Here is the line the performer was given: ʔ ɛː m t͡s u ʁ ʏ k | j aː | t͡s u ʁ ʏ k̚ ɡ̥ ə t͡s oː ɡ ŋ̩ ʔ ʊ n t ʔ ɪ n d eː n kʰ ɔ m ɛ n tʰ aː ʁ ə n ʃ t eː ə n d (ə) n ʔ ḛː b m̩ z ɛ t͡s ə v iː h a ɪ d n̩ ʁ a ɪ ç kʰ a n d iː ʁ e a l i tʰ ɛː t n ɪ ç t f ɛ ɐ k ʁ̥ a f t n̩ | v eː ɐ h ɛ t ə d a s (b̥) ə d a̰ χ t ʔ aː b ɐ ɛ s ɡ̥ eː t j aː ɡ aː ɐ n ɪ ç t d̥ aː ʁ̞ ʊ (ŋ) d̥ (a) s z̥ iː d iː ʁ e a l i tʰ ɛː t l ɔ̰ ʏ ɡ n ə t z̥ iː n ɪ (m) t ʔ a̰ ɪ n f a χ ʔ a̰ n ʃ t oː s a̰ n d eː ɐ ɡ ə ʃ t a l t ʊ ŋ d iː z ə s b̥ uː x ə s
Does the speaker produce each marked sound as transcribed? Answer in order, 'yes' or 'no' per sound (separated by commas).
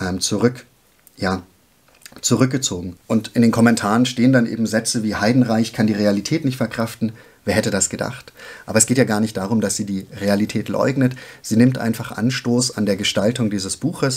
no, no, no, yes, yes